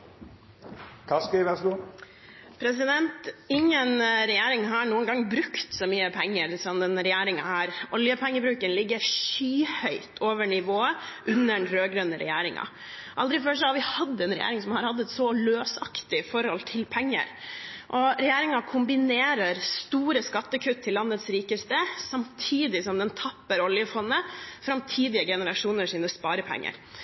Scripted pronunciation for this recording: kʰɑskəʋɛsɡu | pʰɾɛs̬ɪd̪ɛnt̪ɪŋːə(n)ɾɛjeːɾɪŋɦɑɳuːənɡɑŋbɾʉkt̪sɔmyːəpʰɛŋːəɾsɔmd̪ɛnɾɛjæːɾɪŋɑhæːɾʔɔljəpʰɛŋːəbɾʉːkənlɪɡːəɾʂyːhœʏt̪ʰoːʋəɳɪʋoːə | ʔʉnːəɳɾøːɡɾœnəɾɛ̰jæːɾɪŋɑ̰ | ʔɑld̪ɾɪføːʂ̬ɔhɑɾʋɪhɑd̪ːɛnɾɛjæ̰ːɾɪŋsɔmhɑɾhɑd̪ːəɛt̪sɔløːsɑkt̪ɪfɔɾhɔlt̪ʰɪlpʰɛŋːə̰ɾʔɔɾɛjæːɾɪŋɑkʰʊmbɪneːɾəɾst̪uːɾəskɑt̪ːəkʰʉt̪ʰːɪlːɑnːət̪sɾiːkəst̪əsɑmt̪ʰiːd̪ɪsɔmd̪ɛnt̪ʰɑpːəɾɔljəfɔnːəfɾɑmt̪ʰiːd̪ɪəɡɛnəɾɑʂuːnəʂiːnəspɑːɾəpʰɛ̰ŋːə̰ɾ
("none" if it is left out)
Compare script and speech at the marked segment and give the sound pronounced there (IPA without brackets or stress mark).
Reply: n